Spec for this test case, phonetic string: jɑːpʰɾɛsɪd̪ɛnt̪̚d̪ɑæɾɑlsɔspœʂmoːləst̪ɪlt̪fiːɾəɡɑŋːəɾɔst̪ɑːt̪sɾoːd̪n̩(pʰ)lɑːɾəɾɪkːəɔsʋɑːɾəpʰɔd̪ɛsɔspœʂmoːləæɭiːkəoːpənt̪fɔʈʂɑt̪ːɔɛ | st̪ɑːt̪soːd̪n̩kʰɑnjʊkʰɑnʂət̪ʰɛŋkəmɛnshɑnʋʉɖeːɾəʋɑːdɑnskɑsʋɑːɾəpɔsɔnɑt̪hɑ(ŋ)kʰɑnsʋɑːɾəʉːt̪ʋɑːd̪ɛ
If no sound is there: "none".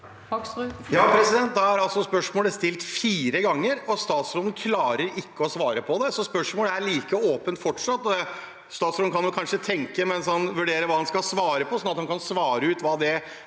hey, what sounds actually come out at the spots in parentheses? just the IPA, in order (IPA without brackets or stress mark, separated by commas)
kʰ, n